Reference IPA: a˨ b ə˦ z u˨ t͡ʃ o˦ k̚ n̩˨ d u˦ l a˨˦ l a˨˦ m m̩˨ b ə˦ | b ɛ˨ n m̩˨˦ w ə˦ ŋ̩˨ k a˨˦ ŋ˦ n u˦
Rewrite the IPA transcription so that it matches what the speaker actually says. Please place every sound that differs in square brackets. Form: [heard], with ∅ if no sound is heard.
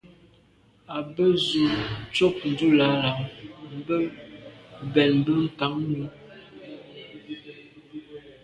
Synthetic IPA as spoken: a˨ b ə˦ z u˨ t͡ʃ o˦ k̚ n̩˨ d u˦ l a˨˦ l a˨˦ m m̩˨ b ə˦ | b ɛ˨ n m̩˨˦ [b] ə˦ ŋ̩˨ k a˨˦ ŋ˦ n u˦